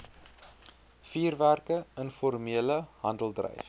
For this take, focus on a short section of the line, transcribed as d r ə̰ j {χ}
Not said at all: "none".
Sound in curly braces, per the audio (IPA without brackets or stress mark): f